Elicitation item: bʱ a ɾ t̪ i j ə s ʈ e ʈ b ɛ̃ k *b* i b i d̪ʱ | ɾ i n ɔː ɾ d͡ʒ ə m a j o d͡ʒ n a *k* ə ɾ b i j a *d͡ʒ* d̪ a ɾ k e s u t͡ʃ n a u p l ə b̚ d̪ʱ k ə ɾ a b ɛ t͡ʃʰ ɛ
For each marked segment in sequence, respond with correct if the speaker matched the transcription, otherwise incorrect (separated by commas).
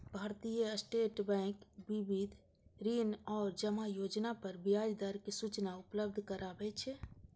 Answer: correct, incorrect, correct